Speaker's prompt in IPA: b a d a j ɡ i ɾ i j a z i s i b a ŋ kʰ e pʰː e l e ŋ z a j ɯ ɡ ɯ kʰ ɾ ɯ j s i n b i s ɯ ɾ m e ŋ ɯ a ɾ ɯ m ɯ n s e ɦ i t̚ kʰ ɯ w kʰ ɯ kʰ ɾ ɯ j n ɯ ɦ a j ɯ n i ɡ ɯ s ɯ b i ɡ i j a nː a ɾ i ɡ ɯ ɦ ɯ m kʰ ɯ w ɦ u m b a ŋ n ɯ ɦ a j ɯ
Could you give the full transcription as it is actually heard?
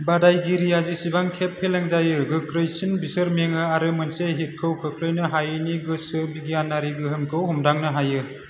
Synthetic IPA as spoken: b a d a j ɡ i ɾ i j a z i s i b a ŋ kʰ e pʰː e l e ŋ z a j ɯ ɡ ɯ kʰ ɾ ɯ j s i n b i s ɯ ɾ m e ŋ ɯ a ɾ ɯ m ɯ n s e ɦ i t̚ kʰ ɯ w kʰ ɯ kʰ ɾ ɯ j n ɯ ɦ a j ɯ n i ɡ ɯ s ɯ b i ɡ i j a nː a ɾ i ɡ ɯ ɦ ɯ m kʰ ɯ w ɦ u m d a ŋ n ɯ ɦ a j ɯ